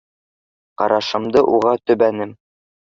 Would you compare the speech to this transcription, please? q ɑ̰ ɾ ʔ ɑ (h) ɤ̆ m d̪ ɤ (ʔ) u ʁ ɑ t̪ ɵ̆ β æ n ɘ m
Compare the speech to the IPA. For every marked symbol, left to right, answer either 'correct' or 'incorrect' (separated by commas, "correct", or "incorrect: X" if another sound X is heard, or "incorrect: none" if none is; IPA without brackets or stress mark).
incorrect: ʃ, correct